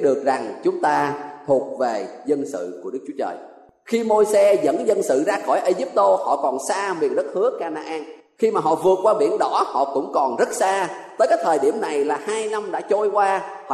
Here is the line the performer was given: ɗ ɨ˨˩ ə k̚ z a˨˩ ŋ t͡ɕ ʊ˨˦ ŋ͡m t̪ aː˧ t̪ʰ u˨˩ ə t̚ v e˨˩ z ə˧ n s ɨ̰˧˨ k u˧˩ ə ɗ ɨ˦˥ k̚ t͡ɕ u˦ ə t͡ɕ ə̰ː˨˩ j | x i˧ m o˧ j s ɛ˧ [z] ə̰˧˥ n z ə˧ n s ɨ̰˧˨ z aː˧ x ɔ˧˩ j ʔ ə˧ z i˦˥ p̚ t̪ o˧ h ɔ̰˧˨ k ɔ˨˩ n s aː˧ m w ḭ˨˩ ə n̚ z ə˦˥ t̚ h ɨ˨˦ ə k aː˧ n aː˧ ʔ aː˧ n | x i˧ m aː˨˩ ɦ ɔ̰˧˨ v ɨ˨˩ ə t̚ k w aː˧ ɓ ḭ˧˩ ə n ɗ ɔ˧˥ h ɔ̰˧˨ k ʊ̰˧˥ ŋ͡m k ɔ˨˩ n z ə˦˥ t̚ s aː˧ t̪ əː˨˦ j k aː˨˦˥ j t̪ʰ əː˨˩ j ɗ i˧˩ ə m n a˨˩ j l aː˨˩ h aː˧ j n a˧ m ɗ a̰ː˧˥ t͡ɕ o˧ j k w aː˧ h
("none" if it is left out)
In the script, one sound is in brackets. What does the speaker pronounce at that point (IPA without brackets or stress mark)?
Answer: z